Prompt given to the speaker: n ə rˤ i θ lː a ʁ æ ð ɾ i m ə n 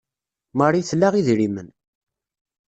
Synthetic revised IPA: m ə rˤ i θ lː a ʁ i ð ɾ i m ə n